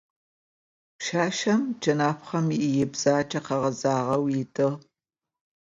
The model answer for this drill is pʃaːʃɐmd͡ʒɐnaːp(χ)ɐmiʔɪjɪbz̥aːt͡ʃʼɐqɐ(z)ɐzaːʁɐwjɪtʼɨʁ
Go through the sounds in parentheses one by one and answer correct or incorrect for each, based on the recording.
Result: correct, incorrect: ʁ

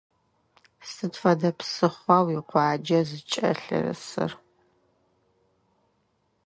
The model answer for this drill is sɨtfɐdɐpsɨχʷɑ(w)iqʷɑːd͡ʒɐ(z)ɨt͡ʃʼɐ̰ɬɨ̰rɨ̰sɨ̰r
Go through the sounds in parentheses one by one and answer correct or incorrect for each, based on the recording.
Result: correct, correct

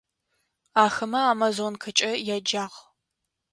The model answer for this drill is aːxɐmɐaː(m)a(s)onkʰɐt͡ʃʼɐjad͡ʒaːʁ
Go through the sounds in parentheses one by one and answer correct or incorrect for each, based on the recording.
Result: correct, incorrect: z

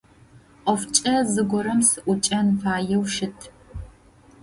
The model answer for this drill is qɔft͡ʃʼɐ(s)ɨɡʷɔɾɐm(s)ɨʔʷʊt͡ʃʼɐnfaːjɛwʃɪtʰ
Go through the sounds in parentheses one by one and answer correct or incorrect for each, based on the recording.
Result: incorrect: z, correct

